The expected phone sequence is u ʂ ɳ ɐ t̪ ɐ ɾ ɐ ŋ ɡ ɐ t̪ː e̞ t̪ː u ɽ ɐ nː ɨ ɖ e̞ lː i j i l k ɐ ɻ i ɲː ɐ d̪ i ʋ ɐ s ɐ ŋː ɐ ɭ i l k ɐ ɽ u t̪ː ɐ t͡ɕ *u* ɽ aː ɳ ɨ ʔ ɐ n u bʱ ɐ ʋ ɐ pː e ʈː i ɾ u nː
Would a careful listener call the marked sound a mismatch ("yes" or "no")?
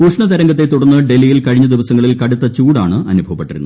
yes